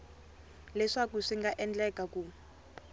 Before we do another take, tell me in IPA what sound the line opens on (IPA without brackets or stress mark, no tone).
l